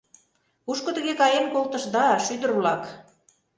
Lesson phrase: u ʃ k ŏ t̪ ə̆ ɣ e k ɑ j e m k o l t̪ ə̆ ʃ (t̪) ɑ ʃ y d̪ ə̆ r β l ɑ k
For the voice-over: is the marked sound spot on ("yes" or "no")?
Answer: no